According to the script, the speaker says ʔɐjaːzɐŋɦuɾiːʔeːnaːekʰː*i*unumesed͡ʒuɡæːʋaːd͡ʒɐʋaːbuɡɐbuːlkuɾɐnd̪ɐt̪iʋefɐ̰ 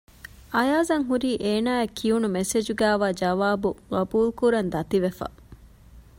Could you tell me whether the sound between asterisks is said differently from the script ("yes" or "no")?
no